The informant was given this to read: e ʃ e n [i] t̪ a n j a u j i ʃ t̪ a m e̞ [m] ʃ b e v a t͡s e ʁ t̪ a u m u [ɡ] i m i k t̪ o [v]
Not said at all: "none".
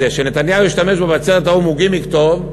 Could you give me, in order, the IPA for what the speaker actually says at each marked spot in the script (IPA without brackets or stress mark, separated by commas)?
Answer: e, none, ɡ, v